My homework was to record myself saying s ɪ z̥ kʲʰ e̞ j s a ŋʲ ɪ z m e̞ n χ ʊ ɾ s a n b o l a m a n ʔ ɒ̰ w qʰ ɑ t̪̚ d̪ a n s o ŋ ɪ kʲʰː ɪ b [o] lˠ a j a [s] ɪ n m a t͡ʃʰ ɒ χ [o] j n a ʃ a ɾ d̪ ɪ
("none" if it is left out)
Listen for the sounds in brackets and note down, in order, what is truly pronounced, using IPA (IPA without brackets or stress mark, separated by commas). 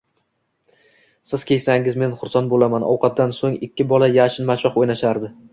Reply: ɒ, ʃ, o